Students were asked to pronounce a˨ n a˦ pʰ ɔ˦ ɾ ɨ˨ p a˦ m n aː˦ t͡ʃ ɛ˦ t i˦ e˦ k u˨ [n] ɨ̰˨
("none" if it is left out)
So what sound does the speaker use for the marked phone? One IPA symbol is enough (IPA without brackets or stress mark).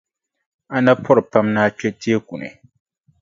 n